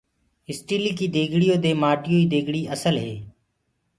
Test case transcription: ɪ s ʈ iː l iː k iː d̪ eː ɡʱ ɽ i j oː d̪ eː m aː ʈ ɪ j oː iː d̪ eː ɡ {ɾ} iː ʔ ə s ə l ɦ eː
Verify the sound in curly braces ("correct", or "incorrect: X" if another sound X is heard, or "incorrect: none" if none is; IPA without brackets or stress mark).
incorrect: ɽ